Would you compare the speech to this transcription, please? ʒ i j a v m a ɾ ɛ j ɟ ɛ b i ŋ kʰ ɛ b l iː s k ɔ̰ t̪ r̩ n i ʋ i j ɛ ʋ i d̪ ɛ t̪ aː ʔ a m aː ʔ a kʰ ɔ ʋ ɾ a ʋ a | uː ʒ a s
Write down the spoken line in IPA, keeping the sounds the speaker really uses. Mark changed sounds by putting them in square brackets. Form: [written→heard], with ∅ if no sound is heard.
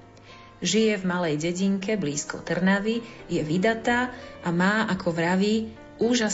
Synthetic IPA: ʒ i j [a→ɛ] v m a [ɾ→l] ɛ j ɟ ɛ [b→ɟ] i ŋ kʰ ɛ b l iː s k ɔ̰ t̪ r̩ n [i→a] ʋ i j ɛ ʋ i d̪ [ɛ→a] t̪ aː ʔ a m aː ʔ a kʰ ɔ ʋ ɾ a ʋ [a→i] | uː ʒ a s